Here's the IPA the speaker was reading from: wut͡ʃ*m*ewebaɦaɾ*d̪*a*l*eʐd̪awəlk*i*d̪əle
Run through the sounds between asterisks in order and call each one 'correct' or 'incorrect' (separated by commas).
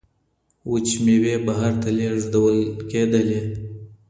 correct, incorrect, correct, incorrect